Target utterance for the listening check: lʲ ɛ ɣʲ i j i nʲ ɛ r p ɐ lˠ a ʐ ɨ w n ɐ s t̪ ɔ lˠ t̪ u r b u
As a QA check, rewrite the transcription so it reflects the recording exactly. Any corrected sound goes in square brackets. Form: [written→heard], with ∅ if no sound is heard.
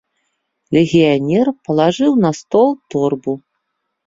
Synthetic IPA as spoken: lʲ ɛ ɣʲ i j [i→a] nʲ ɛ r p ɐ lˠ a ʐ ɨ w n ɐ s t̪ ɔ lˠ t̪ [u→ɔ] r b u